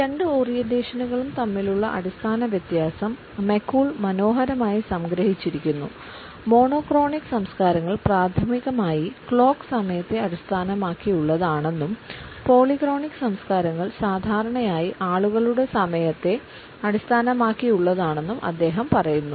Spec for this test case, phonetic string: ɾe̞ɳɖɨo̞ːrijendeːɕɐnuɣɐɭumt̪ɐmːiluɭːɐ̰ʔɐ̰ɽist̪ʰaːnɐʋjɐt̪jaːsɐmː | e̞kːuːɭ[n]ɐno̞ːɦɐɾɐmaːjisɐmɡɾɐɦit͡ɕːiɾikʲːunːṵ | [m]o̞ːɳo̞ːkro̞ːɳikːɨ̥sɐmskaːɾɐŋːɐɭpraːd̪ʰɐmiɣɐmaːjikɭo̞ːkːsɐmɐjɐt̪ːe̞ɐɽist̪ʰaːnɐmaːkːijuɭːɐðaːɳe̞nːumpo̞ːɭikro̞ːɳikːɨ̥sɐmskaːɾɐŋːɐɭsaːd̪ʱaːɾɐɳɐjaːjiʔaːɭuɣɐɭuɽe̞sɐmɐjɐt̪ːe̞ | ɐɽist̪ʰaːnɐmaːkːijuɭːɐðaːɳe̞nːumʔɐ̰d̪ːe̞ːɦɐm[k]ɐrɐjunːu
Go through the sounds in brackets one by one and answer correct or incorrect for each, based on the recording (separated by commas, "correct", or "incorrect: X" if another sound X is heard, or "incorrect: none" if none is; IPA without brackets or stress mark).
incorrect: m, correct, incorrect: p